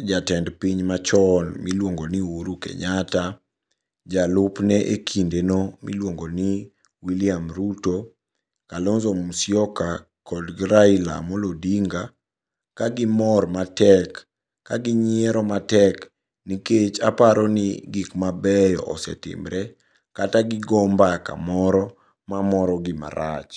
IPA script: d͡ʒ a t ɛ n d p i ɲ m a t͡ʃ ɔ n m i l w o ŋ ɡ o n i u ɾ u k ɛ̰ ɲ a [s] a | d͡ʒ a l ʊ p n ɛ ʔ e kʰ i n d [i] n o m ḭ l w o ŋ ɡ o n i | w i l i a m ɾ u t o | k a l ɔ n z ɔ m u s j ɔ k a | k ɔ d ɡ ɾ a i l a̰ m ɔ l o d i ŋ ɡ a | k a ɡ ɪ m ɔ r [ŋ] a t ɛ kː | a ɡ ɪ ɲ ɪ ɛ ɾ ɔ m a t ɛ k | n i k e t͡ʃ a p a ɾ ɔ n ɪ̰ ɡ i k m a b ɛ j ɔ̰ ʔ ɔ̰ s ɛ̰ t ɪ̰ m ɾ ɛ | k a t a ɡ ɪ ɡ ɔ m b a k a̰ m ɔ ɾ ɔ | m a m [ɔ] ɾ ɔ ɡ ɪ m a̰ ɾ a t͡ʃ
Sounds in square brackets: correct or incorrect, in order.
incorrect: t, incorrect: e, incorrect: m, correct

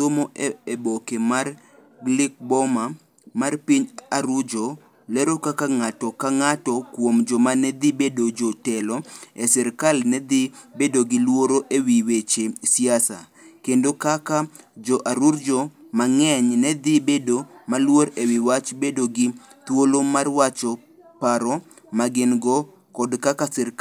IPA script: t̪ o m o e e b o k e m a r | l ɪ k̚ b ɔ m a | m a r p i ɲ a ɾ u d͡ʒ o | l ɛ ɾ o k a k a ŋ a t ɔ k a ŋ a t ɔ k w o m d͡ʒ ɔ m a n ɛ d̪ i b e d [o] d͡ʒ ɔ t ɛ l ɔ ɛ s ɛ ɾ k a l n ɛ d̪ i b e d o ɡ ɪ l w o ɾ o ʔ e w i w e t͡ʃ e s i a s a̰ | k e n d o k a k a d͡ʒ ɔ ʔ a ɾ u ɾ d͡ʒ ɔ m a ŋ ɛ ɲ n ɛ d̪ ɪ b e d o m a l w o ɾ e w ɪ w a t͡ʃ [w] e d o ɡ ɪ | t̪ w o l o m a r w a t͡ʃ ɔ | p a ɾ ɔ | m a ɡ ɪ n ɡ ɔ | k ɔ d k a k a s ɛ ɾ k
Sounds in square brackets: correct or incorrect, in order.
correct, incorrect: b

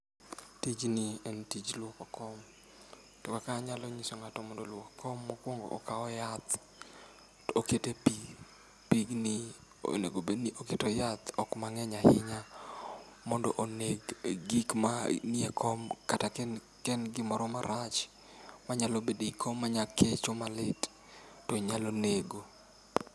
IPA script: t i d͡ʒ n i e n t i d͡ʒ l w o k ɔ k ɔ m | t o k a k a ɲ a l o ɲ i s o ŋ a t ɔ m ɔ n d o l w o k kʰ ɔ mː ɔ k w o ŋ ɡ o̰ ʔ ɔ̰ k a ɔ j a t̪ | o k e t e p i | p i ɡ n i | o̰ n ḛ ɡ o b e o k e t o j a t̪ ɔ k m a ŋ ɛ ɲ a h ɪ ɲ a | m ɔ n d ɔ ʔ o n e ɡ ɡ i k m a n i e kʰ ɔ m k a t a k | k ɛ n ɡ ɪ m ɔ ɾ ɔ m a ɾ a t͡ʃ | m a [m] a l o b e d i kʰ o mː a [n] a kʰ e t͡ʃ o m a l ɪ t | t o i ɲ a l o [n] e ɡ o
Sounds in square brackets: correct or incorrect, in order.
incorrect: ɲ, incorrect: ɲ, correct

